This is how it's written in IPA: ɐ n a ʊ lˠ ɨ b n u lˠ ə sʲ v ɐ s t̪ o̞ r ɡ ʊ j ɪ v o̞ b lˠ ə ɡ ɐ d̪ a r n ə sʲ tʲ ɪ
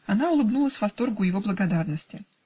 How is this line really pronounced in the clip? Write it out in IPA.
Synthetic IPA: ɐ n a ʊ lˠ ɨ b n u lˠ ə sʲ v ɐ s t̪ o̞ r ɡ ʊ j ɪ v o̞ b lˠ ə ɡ ɐ d̪ a r n ə sʲ tʲ ɪ